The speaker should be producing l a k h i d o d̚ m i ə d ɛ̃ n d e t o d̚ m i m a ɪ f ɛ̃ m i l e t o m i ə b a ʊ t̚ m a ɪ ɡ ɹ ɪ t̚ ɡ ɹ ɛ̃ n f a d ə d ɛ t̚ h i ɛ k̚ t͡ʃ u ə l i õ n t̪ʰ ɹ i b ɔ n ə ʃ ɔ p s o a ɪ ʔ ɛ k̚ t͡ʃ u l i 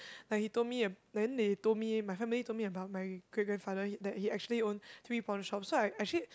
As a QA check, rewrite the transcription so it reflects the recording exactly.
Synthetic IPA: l a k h i t o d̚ m i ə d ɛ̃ n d e t o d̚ m i m a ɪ f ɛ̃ m i l i t o m i ə b a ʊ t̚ m a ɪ ɡ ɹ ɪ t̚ ɡ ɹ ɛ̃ n f a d ə d ɛ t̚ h i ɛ k̚ t͡ʃ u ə l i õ n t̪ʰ ɹ i p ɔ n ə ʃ ɔ p s o a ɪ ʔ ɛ k̚ t͡ʃ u l i